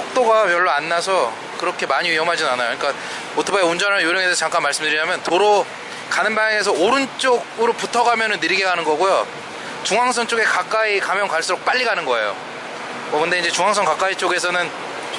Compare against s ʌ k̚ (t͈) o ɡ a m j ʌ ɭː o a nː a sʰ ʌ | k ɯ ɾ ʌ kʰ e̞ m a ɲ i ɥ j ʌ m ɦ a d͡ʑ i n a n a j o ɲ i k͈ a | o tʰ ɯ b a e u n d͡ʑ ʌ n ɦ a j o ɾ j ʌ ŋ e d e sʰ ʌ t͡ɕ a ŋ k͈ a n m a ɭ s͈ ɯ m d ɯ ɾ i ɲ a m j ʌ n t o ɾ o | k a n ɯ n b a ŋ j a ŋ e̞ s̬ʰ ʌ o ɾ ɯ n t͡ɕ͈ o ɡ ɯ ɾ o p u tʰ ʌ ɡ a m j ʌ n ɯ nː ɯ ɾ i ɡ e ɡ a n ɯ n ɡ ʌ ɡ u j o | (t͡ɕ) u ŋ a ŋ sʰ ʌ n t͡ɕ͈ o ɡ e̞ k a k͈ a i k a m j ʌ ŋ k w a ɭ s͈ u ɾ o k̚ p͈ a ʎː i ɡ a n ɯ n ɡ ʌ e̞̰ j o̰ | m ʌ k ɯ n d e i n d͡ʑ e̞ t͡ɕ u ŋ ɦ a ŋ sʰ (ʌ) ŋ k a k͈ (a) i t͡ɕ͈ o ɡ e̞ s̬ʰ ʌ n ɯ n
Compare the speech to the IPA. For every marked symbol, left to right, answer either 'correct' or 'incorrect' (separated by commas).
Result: correct, correct, correct, correct